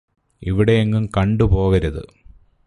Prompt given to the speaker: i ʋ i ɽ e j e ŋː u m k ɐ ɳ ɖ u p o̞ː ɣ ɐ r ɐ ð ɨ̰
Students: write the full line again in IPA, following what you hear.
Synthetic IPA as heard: i ʋ i ɽ e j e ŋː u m k ɐ ɳ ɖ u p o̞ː ɣ ɐ ɾ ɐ ð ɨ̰